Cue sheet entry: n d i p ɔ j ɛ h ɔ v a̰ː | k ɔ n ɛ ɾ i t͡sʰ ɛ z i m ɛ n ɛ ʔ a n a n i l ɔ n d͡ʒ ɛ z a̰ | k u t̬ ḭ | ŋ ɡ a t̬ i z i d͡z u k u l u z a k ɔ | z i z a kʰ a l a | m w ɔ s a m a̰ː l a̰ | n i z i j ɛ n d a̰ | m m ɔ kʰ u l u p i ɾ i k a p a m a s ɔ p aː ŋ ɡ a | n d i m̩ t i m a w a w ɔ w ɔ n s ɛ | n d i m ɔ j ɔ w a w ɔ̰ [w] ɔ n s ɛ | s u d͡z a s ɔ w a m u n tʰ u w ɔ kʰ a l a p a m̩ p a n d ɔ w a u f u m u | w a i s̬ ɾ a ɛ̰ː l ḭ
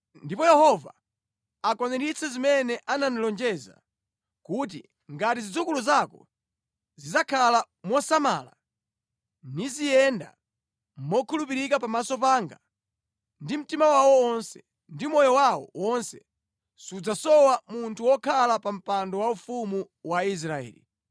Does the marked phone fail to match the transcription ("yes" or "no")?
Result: no